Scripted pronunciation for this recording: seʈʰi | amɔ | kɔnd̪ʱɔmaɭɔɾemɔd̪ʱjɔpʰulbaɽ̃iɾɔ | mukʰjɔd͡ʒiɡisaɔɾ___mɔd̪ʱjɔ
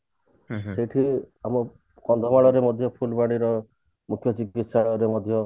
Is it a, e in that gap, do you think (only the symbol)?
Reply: e